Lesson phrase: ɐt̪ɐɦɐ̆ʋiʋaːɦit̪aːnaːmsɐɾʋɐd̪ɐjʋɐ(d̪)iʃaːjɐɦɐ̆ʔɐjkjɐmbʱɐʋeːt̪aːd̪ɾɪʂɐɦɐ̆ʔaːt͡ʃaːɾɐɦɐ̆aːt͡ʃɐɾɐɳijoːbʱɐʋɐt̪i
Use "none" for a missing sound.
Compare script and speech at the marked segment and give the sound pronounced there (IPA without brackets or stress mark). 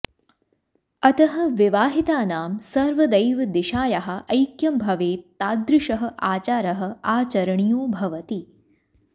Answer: d̪